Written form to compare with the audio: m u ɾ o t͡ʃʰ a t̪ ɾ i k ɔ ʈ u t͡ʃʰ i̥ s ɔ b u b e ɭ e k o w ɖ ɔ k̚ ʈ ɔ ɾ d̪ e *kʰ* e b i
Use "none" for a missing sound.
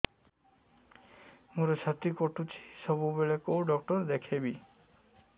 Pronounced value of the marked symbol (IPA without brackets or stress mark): kʰ